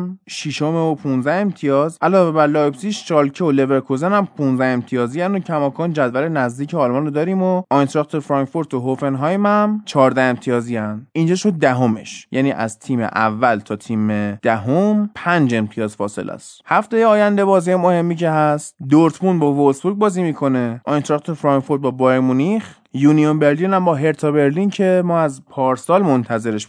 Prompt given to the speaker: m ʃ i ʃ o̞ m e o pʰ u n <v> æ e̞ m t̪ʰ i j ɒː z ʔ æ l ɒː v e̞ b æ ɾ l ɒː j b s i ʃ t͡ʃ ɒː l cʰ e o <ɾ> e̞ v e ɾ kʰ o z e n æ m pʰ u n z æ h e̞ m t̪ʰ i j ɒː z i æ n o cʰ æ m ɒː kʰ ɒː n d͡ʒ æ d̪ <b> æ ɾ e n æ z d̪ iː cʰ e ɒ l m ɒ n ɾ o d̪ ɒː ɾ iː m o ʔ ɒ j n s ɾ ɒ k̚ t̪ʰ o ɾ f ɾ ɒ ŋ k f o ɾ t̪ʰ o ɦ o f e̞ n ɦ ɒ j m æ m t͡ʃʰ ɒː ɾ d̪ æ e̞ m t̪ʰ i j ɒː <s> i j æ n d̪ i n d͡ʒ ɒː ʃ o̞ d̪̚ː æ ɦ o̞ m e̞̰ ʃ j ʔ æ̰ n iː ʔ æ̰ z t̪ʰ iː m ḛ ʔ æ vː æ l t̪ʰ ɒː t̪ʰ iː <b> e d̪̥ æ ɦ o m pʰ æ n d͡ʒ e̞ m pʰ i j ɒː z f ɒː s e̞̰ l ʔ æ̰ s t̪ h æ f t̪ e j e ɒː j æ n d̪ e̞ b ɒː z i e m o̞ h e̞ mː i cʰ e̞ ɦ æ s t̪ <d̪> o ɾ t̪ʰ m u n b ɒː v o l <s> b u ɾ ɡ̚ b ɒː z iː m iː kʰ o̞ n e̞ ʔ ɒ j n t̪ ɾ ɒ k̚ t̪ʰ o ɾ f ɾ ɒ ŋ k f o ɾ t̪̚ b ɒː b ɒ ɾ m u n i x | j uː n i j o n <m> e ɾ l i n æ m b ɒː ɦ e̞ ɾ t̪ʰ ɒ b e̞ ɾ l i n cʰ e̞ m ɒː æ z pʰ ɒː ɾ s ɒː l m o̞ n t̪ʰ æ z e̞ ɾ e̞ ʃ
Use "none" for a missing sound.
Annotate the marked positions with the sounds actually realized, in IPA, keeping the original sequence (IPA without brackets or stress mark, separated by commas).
z, l, v, z, m, d̪, s, b